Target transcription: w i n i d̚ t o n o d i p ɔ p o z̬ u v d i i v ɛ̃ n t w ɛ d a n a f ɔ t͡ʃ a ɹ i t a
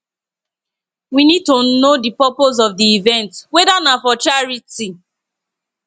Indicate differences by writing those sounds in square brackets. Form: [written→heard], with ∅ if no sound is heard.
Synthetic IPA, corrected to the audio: w i n i d̚ t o n o d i p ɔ p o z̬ [u→ɔ] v d i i v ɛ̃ n t w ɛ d a n a f ɔ t͡ʃ a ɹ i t [a→i]